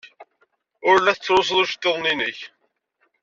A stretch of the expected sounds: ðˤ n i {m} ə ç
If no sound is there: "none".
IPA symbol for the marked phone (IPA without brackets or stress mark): n